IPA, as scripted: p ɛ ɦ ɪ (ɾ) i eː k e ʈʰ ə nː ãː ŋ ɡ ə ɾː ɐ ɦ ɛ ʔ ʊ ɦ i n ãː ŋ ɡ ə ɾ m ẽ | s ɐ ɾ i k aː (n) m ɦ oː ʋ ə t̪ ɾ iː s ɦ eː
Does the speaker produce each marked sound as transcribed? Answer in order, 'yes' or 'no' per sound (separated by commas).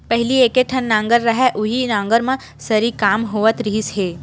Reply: no, no